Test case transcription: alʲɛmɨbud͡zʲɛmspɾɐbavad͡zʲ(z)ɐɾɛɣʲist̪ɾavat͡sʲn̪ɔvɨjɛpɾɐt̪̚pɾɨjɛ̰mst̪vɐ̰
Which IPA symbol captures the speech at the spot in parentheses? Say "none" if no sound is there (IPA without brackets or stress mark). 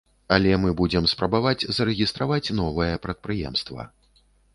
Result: z